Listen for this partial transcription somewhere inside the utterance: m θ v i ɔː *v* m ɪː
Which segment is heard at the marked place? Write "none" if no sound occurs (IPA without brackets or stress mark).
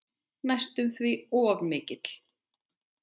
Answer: v